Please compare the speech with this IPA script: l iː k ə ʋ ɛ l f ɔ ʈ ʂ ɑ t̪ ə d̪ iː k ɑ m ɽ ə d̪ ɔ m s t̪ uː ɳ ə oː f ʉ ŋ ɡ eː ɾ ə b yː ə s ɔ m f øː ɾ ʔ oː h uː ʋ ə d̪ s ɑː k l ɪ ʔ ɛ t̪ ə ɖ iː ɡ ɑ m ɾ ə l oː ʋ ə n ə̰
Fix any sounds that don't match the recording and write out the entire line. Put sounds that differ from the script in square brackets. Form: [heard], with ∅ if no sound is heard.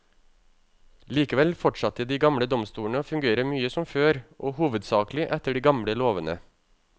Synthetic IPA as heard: l iː k ə ʋ ɛ l f ɔ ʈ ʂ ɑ t̪ ə d̪ iː [ɡ] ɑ m ɽ ə d̪ ɔ m s t̪ uː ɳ ə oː f ʉ ŋ ɡ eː ɾ ə [m] yː ə s ɔ m f øː ɾ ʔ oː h uː ʋ ə d̪ s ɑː k l ɪ ʔ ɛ t̪ ə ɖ iː ɡ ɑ m [ɽ] ə l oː ʋ ə n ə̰